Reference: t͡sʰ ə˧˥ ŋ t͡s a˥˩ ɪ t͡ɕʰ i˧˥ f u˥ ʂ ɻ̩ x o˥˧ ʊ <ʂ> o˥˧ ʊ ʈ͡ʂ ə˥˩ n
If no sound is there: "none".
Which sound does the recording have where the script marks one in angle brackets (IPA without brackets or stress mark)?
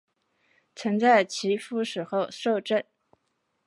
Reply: ʂ